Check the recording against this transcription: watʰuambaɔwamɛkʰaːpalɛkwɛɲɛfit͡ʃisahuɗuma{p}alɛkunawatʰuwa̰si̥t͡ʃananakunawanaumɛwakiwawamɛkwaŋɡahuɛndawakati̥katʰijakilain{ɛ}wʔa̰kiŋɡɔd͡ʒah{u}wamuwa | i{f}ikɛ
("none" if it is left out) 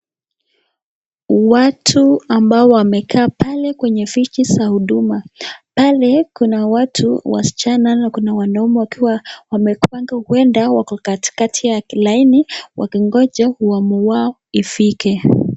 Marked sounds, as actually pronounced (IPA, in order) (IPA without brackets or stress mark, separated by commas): p, i, u, f